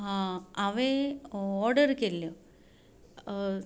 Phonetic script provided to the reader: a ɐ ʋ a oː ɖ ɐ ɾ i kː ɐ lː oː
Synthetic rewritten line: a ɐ ʋ e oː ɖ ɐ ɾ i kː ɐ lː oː